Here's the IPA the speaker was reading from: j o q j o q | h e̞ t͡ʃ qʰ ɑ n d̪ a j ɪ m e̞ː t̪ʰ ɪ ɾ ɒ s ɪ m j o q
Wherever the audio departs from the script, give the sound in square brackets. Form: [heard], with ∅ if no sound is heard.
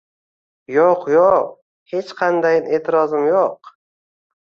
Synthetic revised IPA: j o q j o q | h e̞ t͡ʃ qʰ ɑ n d̪ a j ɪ [n] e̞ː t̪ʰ ɪ ɾ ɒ [z] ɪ m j o q